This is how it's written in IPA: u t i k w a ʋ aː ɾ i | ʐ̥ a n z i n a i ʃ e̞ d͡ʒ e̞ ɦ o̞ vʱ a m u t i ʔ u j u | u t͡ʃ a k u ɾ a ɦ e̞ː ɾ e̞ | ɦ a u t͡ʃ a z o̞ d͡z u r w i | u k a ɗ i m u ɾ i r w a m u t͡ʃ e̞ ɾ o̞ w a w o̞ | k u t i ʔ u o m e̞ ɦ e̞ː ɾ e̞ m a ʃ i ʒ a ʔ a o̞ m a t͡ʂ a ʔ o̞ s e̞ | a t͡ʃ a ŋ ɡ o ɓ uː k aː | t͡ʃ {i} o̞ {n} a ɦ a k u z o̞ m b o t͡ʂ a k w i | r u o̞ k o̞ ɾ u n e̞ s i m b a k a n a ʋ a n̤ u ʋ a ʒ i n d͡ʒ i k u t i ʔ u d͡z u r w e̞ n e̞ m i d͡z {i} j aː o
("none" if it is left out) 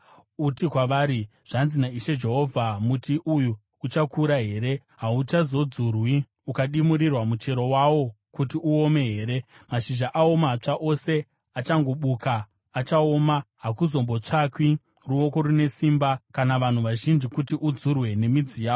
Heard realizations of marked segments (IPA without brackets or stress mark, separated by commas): a, m, i